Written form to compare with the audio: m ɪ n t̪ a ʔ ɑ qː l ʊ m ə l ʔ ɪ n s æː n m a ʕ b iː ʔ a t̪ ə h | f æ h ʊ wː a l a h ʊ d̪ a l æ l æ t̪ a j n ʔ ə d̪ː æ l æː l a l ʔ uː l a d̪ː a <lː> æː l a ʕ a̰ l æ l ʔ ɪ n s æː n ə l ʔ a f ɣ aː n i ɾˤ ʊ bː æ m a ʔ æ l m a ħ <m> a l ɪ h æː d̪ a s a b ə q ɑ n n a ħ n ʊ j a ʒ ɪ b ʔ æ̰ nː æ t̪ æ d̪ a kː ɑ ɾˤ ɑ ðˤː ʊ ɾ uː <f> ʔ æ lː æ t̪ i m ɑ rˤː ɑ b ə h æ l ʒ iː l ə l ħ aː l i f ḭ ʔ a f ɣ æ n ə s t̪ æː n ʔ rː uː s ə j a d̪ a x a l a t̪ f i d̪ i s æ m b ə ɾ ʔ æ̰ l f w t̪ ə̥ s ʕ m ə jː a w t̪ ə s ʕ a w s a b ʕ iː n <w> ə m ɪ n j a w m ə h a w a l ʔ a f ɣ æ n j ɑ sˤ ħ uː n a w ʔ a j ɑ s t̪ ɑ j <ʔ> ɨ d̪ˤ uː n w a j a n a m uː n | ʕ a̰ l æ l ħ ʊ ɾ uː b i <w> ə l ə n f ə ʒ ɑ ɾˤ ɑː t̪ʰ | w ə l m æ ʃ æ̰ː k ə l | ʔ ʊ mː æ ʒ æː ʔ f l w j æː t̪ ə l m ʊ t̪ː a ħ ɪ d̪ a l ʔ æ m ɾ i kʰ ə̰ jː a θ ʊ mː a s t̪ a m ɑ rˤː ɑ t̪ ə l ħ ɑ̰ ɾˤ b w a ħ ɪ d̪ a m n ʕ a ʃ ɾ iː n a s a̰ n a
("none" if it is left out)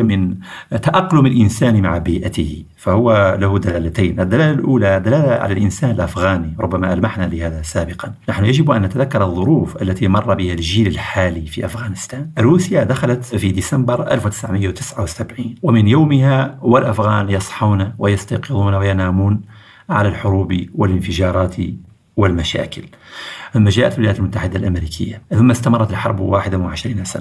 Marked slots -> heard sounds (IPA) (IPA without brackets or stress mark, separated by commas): l, n, f, w, q, w